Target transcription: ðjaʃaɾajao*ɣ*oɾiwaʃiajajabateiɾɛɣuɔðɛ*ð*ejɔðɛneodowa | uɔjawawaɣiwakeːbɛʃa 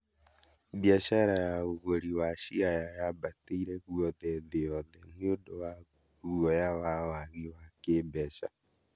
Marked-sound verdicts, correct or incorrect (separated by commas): correct, correct